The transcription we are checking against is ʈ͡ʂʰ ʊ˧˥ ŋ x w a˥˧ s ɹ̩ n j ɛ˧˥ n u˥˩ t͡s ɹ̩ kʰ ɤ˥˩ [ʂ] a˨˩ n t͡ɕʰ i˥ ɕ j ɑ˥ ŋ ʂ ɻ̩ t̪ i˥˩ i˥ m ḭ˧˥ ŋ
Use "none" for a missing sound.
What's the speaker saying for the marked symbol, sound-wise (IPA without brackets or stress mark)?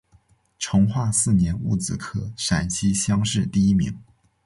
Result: ʂ